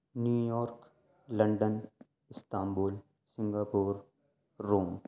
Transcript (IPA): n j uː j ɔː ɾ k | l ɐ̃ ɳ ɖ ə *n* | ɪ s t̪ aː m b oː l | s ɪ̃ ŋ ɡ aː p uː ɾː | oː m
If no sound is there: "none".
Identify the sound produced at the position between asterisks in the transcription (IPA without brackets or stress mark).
n